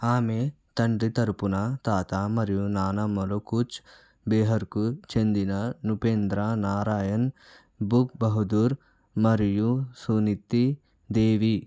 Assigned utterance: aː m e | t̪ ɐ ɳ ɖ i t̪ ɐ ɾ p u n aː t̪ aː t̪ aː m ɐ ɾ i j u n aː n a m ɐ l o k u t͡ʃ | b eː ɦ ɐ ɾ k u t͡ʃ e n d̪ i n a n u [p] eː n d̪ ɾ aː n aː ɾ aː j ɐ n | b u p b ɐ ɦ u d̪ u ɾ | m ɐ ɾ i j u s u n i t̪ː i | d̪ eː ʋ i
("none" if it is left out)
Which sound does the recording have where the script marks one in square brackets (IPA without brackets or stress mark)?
p